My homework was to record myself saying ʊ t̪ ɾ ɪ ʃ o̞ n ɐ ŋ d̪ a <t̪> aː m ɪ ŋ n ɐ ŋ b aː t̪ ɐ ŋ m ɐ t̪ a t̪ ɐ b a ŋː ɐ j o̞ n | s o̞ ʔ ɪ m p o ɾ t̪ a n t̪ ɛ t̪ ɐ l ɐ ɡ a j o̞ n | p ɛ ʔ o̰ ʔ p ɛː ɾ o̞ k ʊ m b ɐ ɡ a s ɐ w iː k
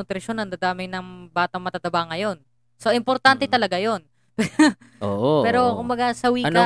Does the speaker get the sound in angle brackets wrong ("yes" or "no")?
yes